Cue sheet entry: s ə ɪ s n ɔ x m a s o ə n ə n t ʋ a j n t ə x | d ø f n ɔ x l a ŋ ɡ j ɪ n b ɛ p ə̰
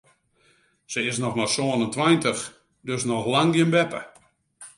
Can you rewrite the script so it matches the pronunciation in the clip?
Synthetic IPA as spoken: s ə ɪ s n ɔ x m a s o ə n ə n t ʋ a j n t ə x | d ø s n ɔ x l a ŋ ɡ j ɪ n b ɛ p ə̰